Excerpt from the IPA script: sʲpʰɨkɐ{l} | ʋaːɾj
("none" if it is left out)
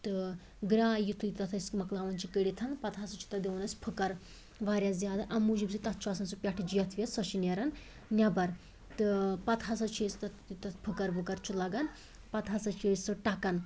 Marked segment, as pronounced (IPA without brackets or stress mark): ɾ